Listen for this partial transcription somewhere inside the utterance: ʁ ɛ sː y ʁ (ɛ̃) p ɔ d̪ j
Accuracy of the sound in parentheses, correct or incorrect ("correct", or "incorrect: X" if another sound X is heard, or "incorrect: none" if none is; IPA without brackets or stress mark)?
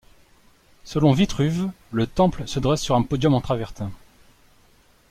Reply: correct